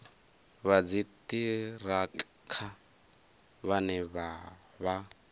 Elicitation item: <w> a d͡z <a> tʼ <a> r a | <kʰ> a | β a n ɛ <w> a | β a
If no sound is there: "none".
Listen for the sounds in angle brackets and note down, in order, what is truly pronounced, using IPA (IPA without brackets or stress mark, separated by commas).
β, i, i, kʰ, β